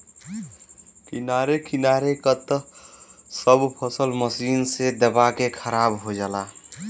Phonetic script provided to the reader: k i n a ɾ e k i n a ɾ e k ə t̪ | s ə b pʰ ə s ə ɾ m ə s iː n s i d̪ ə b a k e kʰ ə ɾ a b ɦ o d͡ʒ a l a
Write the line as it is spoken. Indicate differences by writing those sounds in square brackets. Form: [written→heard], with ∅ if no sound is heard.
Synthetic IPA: k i n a ɾ e k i n a ɾ e k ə t̪ | s ə b pʰ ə s ə [ɾ→l] m ə s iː n s [i→e] d̪ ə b a k e kʰ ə ɾ a b ɦ o d͡ʒ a l a